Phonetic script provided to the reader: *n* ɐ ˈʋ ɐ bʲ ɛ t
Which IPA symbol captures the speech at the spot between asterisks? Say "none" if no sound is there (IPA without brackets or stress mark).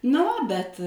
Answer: n